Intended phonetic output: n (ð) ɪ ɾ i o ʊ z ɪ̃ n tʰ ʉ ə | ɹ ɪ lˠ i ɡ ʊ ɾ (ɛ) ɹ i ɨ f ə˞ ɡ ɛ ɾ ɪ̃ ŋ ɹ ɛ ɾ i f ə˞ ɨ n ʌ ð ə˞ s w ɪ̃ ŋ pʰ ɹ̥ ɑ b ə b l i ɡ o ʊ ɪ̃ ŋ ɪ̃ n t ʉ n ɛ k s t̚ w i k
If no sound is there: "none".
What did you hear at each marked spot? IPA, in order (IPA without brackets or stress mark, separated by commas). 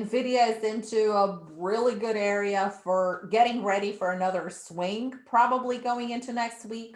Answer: v, ɛ